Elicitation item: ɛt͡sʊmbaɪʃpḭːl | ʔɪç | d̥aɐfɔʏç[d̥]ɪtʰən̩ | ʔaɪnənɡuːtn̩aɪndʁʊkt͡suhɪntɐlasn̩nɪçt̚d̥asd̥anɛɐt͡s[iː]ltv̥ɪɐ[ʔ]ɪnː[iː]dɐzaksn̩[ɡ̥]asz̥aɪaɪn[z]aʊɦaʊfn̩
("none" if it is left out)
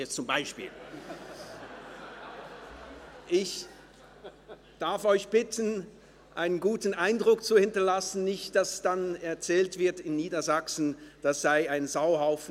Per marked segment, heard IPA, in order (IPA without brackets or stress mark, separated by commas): b̥, ɛː, t, iː, d̥, z